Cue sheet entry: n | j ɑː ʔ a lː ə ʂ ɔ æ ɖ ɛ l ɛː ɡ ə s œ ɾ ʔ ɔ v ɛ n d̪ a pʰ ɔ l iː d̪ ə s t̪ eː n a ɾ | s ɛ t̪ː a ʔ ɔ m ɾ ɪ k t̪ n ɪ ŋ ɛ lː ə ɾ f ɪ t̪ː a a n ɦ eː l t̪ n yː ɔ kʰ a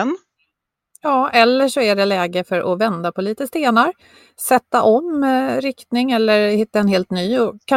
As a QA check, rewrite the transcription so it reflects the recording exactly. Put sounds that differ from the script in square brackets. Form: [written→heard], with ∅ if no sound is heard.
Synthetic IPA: n | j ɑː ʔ [a→ɛ] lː ə ʂ ɔ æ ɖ ɛ l ɛː ɡ ə [s→f] œ ɾ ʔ ɔ v ɛ n d̪ a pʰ ɔ l iː [d̪→t̪] ə s t̪ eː n a ɾ | s ɛ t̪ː a ʔ ɔ m ɾ ɪ k t̪ n ɪ ŋ ɛ lː ə ɾ [f→h] ɪ t̪ː a [a→ɛ] n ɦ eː l t̪ n yː ɔ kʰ a